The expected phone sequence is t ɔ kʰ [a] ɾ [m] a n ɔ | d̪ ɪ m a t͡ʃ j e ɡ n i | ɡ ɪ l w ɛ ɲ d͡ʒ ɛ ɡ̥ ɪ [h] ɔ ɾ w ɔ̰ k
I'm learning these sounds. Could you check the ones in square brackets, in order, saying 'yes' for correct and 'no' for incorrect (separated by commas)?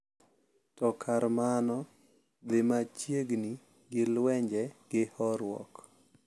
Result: yes, yes, yes